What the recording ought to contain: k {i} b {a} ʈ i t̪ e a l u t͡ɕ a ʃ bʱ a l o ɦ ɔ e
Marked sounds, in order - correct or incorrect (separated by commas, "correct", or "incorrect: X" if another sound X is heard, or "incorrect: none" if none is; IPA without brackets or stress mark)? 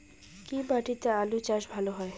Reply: correct, correct